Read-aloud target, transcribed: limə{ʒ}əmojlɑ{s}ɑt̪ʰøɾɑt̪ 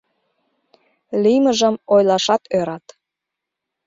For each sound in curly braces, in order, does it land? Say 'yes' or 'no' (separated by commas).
yes, no